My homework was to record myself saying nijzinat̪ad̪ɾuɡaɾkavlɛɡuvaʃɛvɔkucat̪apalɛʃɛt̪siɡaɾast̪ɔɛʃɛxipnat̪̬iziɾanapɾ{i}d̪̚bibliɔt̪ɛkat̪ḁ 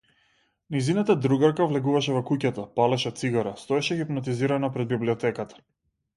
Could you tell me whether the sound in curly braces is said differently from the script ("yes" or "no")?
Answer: yes